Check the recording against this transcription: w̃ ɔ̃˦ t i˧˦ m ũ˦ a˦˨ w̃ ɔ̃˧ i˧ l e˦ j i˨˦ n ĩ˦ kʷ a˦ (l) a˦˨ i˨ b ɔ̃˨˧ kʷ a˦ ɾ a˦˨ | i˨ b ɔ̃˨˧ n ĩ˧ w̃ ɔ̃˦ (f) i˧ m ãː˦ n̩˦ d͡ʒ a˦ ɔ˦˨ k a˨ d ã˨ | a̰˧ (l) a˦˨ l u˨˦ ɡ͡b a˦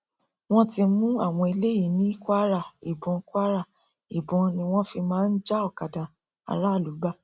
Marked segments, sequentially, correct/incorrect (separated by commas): incorrect, correct, incorrect